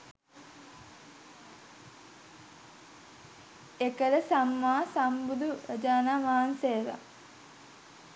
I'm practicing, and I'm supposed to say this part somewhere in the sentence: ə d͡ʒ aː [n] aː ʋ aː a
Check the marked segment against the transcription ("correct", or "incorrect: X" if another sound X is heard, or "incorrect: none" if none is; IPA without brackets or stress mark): correct